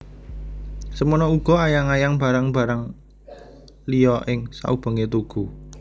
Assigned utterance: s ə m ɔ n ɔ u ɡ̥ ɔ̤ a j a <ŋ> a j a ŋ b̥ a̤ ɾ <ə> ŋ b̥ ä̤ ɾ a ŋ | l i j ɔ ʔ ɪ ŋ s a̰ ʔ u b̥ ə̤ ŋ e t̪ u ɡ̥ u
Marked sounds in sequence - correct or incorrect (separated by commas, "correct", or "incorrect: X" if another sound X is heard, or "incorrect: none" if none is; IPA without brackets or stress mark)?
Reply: correct, incorrect: a